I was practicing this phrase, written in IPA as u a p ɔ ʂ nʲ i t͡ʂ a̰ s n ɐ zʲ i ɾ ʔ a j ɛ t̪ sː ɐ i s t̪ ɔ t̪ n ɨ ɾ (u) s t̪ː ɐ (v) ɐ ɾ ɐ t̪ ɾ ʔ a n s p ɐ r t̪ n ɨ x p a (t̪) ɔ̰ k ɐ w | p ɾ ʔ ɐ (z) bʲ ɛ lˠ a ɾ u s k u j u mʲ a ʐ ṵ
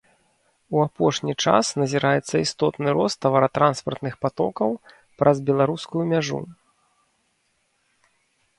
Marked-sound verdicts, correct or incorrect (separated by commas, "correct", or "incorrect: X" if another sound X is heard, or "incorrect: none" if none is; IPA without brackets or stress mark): incorrect: ɔ, correct, correct, correct